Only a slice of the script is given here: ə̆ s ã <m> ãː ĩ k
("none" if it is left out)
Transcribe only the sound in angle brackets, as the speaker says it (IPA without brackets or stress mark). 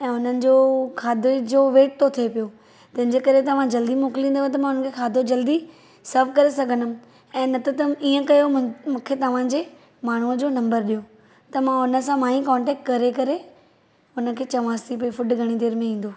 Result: m